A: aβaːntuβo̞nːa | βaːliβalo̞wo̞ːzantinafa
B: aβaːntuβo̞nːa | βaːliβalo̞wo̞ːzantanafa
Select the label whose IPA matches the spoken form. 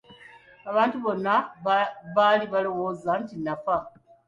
A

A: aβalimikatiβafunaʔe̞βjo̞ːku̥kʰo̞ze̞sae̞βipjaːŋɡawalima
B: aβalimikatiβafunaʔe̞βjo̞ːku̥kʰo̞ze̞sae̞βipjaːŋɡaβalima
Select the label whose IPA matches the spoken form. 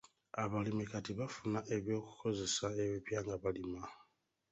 B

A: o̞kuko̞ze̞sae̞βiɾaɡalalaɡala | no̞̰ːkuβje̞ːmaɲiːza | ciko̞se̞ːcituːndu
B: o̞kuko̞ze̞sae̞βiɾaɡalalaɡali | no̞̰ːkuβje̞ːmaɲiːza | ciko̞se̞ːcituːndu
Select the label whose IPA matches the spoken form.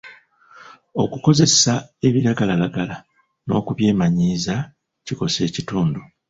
A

